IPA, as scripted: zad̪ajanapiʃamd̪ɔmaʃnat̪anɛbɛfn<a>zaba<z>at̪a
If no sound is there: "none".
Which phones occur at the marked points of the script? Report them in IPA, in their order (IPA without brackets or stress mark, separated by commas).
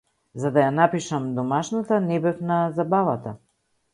a, v